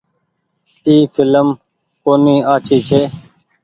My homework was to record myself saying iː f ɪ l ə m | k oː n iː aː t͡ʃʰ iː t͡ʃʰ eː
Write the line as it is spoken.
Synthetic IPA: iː f ɪ l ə m | k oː n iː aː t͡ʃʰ iː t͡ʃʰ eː